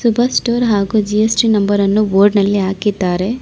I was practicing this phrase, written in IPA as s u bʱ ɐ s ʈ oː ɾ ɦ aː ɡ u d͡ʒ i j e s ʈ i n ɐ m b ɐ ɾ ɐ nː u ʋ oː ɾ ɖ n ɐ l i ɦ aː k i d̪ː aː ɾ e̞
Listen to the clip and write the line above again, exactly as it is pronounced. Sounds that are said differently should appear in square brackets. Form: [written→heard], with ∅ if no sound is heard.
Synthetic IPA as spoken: s u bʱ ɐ s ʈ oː ɾ ɦ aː ɡ u d͡ʒ i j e s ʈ i n ɐ m b ɐ ɾ ɐ nː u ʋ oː ɾ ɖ n ɐ [l→lː] i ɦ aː k i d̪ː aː ɾ e̞